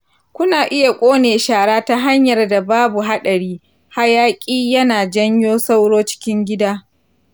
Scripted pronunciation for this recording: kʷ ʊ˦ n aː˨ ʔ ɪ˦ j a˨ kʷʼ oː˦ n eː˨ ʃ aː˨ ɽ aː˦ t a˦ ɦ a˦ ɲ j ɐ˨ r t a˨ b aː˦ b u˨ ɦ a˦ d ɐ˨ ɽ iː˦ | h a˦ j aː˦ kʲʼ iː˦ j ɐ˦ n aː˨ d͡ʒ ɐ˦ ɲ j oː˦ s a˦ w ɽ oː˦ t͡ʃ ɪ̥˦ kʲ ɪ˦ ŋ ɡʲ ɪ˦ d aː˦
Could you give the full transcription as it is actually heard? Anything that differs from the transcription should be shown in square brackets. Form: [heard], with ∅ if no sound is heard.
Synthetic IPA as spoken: kʷ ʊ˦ n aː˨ ʔ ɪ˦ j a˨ kʷʼ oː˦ n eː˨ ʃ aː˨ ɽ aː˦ t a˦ ɦ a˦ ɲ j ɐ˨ r [d] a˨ b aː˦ b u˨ ɦ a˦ [ɗ] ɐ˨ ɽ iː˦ | h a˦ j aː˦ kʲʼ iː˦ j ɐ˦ n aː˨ d͡ʒ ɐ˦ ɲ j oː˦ s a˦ w ɽ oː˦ t͡ʃ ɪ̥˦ kʲ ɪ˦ ŋ ɡʲ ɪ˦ d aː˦